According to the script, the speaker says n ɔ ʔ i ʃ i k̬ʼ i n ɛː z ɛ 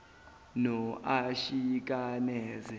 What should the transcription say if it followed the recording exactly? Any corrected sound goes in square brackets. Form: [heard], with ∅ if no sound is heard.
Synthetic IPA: n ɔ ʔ [a] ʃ i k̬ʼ [a] n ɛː z ɛ

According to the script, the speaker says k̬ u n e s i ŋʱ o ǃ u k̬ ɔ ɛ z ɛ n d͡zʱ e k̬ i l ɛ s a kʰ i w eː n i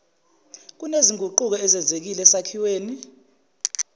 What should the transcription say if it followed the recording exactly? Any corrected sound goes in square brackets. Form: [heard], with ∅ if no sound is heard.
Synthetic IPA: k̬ u n e [z] i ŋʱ [u] ǃ u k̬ ɔ ɛ z ɛ n d͡zʱ e k̬ i l ɛ s a kʰ i w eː n i

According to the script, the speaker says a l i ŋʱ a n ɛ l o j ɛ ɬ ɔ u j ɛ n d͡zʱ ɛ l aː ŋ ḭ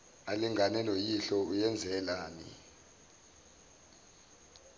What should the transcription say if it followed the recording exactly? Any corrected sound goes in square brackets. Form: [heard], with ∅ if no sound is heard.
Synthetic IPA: a l i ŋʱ a n ɛ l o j [i] ɬ ɔ u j ɛ n d͡zʱ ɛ l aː [n] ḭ

